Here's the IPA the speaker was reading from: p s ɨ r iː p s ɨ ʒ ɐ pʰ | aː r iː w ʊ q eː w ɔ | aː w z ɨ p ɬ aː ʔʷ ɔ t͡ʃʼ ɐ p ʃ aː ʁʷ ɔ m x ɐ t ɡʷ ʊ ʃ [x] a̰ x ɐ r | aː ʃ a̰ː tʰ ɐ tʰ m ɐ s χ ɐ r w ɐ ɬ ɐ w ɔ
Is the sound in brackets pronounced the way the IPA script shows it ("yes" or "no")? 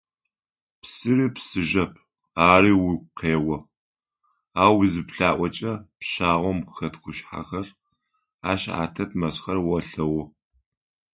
no